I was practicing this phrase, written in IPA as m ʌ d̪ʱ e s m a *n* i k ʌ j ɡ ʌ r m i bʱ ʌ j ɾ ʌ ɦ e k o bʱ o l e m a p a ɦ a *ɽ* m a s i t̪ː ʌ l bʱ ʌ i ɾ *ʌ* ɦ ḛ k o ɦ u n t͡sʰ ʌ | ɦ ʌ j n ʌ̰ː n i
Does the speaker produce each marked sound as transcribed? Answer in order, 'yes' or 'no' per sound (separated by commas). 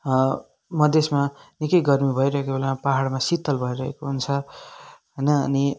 yes, yes, yes